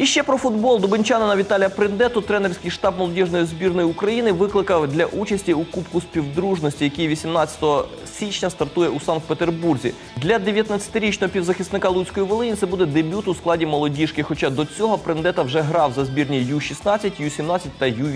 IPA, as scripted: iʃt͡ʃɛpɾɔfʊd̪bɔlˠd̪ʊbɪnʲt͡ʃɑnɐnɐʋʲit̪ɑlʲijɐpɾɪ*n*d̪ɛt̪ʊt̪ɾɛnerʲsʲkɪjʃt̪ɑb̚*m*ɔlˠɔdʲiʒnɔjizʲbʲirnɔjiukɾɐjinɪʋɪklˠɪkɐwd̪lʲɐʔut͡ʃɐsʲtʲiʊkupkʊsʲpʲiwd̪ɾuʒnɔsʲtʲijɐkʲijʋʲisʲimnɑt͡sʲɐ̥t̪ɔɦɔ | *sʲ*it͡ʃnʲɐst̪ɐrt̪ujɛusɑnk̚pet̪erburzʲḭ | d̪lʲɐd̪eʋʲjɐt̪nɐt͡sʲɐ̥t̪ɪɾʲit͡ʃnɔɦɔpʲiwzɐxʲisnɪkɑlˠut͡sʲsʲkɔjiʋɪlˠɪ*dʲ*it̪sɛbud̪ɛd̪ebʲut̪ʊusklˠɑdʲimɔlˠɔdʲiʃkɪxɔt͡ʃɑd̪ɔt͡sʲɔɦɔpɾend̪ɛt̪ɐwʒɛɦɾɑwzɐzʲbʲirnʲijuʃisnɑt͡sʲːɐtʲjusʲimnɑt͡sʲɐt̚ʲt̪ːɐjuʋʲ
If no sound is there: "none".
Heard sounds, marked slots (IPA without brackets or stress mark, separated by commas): n, m, sʲ, nʲ